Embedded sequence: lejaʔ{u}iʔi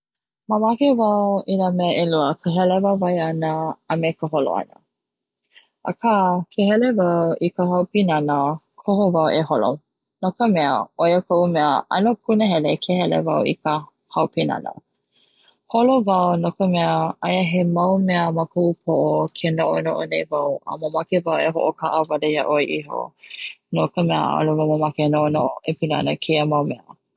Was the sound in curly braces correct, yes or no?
no